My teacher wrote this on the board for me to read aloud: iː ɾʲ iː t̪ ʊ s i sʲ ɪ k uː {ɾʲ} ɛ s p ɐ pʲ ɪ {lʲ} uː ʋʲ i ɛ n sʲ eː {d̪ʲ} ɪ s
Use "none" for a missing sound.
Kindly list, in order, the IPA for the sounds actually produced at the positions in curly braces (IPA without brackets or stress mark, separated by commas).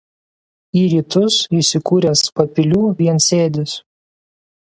ɾʲ, lʲ, d̪ʲ